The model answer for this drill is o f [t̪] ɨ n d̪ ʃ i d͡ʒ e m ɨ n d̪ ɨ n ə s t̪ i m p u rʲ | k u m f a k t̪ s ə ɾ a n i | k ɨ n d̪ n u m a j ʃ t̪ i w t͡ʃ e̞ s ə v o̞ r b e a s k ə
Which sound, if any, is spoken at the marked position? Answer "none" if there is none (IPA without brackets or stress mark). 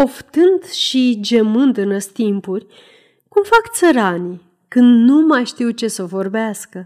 t̪